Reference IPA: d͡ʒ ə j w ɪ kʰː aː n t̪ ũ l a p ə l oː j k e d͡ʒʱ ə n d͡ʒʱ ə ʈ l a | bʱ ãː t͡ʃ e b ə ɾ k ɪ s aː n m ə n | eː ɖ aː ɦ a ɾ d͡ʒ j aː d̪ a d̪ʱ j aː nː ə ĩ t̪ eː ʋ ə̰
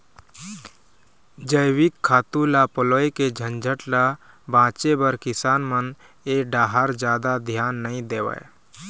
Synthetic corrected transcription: d͡ʒ ə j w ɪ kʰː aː t̪ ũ l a p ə l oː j k e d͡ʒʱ ə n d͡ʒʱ ə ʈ l a | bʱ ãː t͡ʃ e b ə ɾ k ɪ s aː n m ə n | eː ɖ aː ɦ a ɾ d͡ʒ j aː d̪ a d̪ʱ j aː nː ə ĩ d̪ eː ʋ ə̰